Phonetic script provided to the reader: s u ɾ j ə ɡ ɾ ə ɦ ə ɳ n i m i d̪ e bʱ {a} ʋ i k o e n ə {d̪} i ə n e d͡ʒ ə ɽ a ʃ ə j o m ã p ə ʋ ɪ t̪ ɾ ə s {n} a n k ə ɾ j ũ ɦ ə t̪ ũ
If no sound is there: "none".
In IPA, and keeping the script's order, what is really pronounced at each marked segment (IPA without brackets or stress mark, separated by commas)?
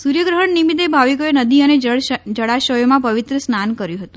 a, d̪, n